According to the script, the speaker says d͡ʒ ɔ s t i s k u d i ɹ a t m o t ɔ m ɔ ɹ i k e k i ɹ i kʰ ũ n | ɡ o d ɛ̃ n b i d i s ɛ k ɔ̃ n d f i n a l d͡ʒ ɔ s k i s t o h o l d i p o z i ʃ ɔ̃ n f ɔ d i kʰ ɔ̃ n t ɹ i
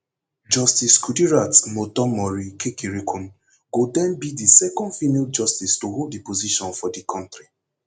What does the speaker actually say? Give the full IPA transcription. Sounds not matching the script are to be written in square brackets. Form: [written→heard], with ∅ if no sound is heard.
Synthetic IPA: d͡ʒ ɔ s t i s k u d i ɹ a t m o t ɔ m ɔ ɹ i k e k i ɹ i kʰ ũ n | ɡ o d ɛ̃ n b i d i s ɛ k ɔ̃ n d f i n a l d͡ʒ ɔ s [k→t] i s t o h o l d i p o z i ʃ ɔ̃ n f ɔ d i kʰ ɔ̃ n t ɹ i

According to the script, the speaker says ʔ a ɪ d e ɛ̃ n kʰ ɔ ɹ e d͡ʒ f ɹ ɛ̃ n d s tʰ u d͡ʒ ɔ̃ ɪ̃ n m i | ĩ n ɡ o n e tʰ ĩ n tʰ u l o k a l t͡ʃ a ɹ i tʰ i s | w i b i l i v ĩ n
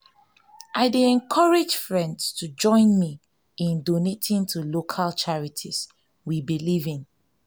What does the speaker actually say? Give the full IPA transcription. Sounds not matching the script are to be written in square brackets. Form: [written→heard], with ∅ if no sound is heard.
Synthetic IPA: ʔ a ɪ d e ɛ̃ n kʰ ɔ ɹ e d͡ʒ f ɹ ɛ̃ n d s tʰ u d͡ʒ ɔ̃ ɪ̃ n m i | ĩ n [ɡ→d] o n e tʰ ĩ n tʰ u l o [k→kʰ] a l t͡ʃ a ɹ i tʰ i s | w i b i l i v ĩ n

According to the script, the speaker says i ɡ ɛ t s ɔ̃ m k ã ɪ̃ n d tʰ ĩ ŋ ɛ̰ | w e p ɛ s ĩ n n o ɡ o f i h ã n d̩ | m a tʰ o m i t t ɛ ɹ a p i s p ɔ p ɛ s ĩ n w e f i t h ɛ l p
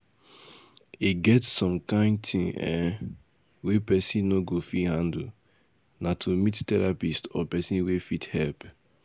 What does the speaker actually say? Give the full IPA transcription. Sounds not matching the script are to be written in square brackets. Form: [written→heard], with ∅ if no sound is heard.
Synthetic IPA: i ɡ ɛ t s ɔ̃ m k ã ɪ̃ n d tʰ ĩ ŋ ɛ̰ | w e p ɛ s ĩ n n o ɡ o f i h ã n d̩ | [m→n] a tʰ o m i t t ɛ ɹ a p i s [p→t] ɔ p ɛ s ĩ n w e f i t h ɛ l p

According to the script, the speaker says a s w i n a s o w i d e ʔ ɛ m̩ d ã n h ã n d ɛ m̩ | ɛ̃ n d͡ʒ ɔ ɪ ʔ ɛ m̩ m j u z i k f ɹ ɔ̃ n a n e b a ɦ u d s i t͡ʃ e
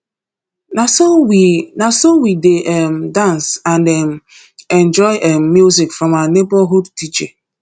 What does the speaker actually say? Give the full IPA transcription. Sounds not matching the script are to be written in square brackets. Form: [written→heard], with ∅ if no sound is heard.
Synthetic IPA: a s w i n a s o w i d e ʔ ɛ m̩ d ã n [h→s] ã n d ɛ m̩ | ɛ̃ n d͡ʒ ɔ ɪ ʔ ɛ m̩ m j u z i k f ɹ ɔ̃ [n→m] a n e b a ɦ u d [s→t] i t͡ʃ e

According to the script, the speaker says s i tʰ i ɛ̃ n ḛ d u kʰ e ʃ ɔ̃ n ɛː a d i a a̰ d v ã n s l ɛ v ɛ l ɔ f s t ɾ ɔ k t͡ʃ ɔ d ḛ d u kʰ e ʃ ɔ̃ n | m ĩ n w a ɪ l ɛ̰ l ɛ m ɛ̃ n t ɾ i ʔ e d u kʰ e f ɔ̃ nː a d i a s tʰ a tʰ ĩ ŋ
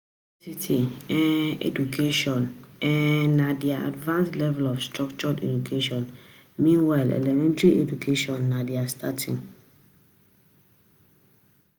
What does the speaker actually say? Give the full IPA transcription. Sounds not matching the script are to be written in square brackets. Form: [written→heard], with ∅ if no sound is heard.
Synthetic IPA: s i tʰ i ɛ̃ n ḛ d u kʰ e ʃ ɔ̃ n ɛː a d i a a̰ d v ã n s l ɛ v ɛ l ɔ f s t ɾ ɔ k t͡ʃ ɔ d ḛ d u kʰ e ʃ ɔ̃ n | m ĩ n w a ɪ l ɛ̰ l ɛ m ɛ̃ n t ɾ i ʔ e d u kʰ e [f→ʃ] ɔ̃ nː a d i a s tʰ a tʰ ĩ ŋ

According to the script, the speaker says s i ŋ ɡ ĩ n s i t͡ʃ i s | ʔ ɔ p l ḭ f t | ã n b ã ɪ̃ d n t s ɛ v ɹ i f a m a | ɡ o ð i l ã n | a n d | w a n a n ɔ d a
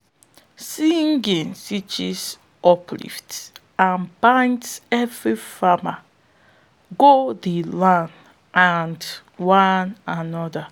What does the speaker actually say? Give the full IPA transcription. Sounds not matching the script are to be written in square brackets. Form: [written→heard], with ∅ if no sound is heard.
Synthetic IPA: s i ŋ ɡ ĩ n s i t͡ʃ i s | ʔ ɔ p l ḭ f t | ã n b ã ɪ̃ [d→∅] n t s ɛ v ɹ i f a m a | ɡ o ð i l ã n | a n d | w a n a n ɔ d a

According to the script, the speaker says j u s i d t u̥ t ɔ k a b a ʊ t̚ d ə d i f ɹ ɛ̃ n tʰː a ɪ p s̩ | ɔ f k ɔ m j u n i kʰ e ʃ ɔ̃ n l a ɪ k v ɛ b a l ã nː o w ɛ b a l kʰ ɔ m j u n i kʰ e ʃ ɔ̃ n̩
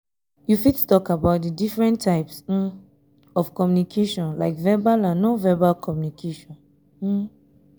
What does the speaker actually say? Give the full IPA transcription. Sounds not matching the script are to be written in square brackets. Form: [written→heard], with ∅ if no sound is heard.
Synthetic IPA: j u [s→f] i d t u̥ t ɔ k a b a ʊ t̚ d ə d i f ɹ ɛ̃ n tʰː a ɪ p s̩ | ɔ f k ɔ m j u n i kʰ e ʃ ɔ̃ n l a ɪ k v ɛ b a l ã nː o [w→v] ɛ b a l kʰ ɔ m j u n i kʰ e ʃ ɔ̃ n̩

